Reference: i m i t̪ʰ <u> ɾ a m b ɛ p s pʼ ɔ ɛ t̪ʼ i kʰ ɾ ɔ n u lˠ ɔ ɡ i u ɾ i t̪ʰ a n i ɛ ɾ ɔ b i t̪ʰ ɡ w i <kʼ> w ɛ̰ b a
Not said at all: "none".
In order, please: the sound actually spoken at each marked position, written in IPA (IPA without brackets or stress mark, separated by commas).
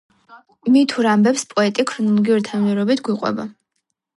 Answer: u, qʼ